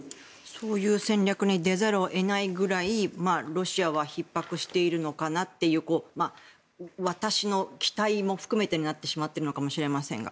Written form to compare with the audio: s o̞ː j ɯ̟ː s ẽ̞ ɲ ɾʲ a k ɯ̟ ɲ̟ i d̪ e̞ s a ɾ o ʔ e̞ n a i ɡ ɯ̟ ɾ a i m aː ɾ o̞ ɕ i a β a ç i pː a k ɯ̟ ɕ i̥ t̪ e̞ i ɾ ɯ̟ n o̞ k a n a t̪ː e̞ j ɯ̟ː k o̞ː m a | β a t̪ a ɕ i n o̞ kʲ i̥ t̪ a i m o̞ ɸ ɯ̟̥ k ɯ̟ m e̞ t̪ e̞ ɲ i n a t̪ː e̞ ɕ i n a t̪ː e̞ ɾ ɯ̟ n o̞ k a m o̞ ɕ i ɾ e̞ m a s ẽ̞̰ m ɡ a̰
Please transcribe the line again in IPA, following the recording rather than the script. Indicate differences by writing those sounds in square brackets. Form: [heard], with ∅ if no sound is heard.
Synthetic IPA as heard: s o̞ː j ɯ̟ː s ẽ̞ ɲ ɾʲ a k ɯ̟ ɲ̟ i d̪ e̞ [z] a ɾ o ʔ e̞ n a i ɡ ɯ̟ ɾ a i m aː ɾ o̞ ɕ i a β a ç i pː a k ɯ̟ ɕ i̥ t̪ e̞ i ɾ ɯ̟ n o̞ k a n a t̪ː e̞ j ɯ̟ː k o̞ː m a | β a t̪ a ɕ i n o̞ kʲ i̥ t̪ a i m o̞ ɸ ɯ̟̥ k ɯ̟ m e̞ t̪ e̞ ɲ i n a t̪ː e̞ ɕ i [m] a t̪ː e̞ ɾ ɯ̟ n o̞ k a m o̞ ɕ i ɾ e̞ m a s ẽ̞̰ [ŋ] ɡ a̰